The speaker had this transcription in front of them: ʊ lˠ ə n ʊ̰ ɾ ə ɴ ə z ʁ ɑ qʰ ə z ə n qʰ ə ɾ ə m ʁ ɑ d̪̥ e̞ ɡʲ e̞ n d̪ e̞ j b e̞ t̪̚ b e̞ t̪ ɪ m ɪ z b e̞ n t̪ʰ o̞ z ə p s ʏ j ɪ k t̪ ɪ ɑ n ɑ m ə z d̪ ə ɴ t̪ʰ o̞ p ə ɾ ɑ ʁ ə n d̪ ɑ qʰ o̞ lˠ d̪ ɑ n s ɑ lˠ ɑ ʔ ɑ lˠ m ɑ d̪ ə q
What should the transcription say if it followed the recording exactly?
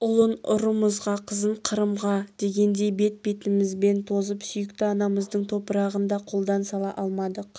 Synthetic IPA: ʊ lˠ ə n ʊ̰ ɾ ə m ə z ʁ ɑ qʰ ə z ə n qʰ ə ɾ ə m ʁ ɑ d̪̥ e̞ ɡʲ e̞ n d̪ e̞ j b e̞ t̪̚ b e̞ t̪ ɪ m ɪ z b e̞ n t̪ʰ o̞ z ə p s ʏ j ɪ k t̪ ɪ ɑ n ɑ m ə z d̪ ə ɴ t̪ʰ o̞ p ə ɾ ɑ ʁ ə n d̪ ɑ qʰ o̞ lˠ d̪ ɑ n s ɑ lˠ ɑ ʔ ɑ lˠ m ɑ d̪ ə q